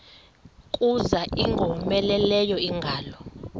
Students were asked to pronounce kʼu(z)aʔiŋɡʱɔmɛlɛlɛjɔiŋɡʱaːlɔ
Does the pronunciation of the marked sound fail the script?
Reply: no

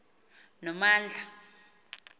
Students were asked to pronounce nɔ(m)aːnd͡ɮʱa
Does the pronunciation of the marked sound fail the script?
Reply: no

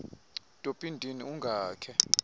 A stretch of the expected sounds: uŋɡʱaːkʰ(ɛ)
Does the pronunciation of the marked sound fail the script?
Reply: no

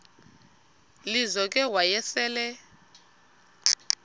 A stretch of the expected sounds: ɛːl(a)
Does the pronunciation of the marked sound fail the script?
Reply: yes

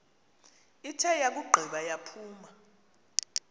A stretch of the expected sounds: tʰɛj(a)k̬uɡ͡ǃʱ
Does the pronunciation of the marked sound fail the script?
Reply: no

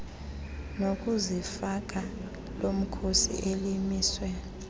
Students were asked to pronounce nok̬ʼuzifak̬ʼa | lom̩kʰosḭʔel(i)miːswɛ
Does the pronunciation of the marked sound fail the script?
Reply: no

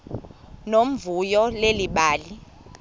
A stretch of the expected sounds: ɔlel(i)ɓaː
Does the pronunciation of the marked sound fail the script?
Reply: no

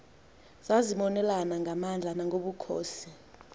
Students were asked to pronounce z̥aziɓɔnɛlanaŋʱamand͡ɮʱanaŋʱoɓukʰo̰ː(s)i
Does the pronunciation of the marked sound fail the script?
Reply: no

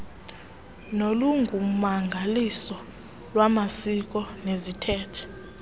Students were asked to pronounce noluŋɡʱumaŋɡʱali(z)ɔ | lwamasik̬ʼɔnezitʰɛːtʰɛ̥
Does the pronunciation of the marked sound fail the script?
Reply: yes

